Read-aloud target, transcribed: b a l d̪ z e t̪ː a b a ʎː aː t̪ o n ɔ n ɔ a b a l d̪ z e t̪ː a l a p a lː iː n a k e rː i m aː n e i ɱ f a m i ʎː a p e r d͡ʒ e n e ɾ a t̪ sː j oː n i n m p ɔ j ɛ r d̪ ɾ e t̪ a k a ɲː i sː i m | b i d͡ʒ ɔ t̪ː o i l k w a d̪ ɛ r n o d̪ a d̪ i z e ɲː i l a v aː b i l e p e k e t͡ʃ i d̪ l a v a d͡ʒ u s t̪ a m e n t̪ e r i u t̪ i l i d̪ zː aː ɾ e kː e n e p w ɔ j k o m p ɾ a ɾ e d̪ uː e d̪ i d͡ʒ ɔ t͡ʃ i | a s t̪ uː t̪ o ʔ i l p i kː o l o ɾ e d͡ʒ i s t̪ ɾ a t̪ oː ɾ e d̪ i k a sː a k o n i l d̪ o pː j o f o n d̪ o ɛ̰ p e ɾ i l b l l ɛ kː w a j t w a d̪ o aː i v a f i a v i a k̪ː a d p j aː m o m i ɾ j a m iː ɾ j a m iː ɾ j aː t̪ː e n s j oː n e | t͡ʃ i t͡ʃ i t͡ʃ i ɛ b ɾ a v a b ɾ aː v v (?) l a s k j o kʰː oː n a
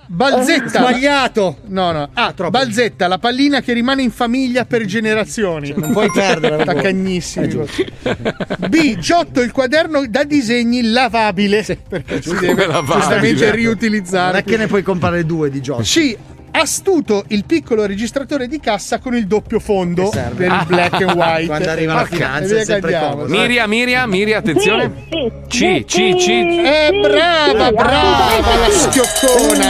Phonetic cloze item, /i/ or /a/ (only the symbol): a